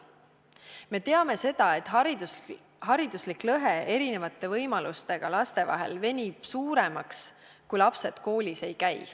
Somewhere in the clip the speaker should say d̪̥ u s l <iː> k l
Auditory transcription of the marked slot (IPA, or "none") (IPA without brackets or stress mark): i